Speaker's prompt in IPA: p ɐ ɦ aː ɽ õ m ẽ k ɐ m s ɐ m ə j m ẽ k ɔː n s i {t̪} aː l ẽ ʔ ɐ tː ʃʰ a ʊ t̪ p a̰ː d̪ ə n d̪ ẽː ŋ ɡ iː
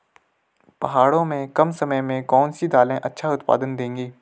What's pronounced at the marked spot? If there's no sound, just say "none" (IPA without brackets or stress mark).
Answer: d̪